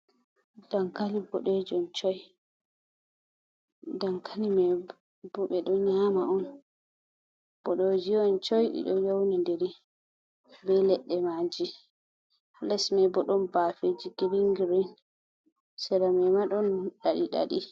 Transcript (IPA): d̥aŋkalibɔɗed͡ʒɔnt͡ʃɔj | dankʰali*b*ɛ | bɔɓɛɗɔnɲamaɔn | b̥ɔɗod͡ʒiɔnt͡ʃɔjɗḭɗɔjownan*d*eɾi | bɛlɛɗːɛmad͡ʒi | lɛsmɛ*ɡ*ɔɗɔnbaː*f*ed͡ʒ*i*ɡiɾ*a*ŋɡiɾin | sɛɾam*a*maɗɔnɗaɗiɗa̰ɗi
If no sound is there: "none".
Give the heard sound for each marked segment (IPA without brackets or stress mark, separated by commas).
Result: m, d, b, f, i, i, ɛ